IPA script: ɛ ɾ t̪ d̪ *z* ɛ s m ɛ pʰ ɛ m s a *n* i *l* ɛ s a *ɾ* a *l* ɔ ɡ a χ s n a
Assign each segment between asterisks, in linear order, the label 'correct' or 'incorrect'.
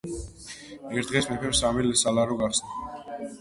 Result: incorrect, incorrect, correct, incorrect, incorrect

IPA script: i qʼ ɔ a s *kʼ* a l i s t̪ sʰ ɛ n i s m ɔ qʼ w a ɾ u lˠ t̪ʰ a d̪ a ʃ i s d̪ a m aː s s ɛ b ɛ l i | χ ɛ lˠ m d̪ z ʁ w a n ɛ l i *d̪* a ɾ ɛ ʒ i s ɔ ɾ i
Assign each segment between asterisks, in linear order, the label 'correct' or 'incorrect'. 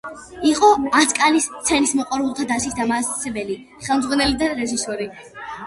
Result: correct, correct

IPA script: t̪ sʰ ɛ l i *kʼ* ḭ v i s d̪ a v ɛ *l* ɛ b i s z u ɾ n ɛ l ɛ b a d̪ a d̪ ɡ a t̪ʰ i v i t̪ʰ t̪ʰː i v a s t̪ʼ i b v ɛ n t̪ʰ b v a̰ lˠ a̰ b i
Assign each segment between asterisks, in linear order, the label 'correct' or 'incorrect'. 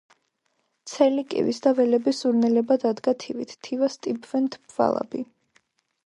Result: correct, correct

